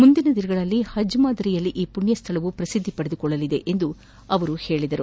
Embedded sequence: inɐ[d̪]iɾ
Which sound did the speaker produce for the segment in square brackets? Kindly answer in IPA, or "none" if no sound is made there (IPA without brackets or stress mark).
d̪